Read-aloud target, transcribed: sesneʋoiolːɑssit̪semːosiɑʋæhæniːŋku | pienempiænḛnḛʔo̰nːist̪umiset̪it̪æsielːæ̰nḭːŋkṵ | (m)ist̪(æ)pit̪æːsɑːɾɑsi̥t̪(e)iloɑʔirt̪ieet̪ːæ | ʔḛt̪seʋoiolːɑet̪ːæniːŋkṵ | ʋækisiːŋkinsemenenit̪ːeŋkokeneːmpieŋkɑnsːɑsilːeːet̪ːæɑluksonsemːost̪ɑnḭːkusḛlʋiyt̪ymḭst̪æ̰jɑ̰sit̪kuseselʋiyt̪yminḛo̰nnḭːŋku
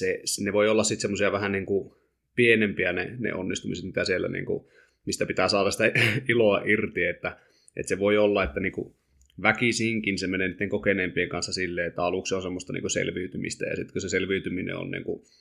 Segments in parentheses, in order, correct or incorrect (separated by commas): correct, correct, incorrect